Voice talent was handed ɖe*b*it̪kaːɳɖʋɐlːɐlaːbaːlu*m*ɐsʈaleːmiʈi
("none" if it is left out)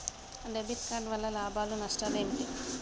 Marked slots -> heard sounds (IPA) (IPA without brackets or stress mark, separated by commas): b, n